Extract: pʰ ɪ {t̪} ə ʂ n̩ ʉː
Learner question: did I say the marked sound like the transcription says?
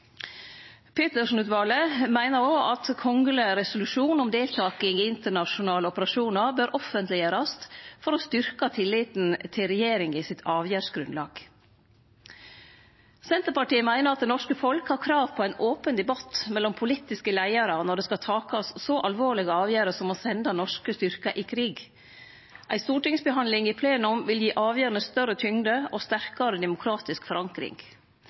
yes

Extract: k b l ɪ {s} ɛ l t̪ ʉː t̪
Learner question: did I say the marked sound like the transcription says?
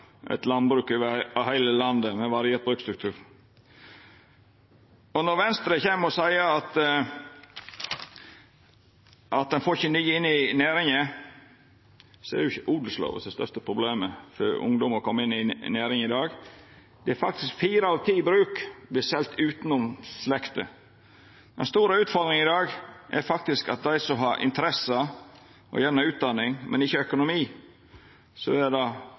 yes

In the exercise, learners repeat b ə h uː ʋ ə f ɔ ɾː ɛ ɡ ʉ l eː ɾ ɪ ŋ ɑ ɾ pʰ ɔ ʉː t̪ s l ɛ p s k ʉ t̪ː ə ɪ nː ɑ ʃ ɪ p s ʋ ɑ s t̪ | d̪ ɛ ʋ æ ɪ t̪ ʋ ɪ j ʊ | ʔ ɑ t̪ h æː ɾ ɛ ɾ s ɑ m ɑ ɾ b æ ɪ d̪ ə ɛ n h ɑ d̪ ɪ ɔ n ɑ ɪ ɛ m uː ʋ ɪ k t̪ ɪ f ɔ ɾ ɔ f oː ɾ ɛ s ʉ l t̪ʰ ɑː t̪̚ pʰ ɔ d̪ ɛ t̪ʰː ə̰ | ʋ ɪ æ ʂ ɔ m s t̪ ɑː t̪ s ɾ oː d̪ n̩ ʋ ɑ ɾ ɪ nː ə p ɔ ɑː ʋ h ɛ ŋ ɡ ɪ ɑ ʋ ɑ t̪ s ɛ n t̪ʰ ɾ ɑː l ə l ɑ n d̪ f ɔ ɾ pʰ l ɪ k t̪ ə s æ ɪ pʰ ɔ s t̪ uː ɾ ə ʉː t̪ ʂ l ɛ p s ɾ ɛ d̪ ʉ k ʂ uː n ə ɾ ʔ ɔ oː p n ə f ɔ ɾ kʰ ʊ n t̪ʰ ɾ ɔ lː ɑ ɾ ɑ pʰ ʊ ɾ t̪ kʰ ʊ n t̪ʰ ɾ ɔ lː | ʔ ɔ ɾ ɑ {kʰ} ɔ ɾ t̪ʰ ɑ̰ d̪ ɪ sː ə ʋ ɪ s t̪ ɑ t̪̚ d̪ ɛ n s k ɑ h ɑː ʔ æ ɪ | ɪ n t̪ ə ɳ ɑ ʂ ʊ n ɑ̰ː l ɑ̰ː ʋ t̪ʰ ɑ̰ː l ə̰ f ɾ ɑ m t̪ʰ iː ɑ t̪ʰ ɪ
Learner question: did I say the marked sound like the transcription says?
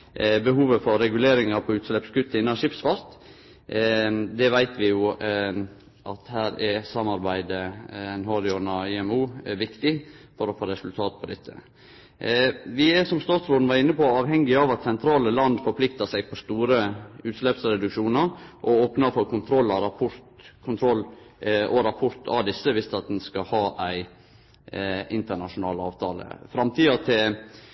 no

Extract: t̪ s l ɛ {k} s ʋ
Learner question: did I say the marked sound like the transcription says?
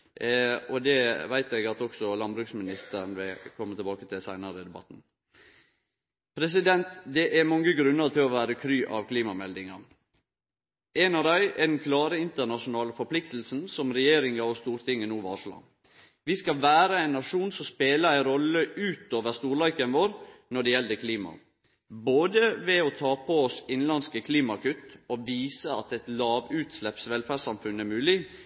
no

